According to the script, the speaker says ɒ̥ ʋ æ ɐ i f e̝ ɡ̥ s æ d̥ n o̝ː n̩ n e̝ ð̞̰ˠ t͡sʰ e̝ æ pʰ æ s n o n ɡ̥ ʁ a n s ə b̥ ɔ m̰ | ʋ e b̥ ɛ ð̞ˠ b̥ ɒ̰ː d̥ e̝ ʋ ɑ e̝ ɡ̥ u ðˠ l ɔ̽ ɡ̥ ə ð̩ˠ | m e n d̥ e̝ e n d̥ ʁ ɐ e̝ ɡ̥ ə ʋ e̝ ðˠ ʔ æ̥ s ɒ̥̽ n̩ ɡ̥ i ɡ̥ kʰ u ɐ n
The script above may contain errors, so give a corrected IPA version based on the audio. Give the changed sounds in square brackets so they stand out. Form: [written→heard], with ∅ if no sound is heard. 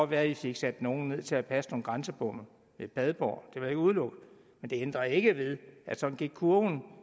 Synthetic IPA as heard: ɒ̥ ʋ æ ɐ i f e̝ ɡ̥ s æ d̥ n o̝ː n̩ n e̝ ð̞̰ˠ t͡sʰ e̝ æ pʰ æ s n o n ɡ̥ ʁ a n s ə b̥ ɔ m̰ | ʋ e b̥ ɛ ð̞ˠ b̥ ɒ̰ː d̥ e̝ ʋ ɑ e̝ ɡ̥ u ðˠ l ɔ̽ ɡ̥ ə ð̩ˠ | m e n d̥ e̝ e n d̥ ʁ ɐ e̝ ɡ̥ ə ʋ e̝ ðˠ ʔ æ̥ s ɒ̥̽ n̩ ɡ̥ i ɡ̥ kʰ u ɐ n